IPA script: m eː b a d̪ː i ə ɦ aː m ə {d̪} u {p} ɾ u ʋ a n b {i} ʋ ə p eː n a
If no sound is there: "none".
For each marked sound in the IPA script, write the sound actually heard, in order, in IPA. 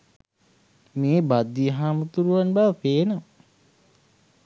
t̪, none, a

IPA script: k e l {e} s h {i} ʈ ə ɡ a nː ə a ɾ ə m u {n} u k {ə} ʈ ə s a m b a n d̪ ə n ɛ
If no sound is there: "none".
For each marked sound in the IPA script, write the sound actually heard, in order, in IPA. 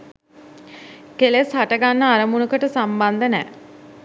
e, a, n, ə

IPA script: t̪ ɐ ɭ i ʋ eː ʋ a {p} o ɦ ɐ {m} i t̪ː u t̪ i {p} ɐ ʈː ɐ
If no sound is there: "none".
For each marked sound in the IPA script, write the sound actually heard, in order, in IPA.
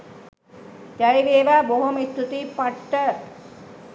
b, m, p

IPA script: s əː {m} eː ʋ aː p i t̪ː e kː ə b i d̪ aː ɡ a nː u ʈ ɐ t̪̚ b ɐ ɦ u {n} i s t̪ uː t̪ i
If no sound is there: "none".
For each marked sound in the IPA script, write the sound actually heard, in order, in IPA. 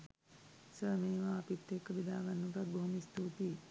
m, m

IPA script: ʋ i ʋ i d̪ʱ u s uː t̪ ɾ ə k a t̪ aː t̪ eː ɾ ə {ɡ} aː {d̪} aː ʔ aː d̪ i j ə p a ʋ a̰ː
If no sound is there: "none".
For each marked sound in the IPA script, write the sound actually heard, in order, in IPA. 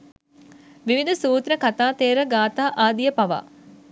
ɡ, t̪

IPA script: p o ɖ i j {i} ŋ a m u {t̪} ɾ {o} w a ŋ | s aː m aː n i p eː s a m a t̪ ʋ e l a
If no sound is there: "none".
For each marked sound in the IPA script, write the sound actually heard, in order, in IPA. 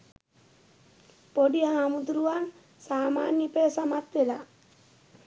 a, d̪, u

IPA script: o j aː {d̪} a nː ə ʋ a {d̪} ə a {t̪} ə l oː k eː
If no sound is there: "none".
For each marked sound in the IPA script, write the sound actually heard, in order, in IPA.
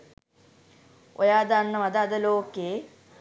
d̪, d̪, d̪

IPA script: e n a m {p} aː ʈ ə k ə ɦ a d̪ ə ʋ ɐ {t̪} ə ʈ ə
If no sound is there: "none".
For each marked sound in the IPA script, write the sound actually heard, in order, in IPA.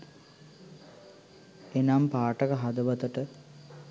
p, t̪

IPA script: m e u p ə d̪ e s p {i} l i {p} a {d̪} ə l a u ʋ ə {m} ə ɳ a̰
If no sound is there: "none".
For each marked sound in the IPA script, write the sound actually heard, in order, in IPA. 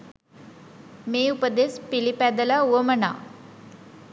i, p, d̪, m

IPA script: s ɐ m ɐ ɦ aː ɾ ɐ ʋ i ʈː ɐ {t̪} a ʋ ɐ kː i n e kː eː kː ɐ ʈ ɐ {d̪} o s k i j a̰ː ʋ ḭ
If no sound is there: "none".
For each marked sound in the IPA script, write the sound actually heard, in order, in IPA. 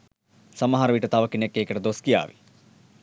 t̪, d̪

